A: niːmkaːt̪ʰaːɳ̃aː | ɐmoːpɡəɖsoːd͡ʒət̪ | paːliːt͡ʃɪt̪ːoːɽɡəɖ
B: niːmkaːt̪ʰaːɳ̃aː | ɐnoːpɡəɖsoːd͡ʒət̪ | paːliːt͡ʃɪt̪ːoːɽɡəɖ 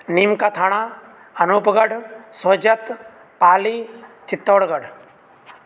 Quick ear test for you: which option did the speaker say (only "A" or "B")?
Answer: B